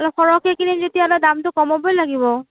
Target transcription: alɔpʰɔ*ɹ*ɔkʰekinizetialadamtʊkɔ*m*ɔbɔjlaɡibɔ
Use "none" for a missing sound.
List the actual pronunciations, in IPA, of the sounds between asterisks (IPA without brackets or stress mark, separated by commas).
ɹ, m